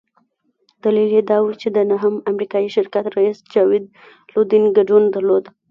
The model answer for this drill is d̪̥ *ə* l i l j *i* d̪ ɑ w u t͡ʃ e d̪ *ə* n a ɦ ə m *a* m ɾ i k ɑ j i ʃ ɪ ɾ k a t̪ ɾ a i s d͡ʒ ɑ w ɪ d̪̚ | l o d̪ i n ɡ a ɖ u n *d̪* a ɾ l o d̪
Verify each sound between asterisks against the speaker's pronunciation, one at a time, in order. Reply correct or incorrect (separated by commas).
incorrect, incorrect, correct, correct, correct